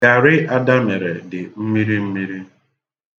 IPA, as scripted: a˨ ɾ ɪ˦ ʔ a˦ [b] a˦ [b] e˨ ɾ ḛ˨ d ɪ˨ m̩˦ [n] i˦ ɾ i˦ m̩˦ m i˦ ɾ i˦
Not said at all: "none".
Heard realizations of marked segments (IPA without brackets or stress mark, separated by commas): d, m, m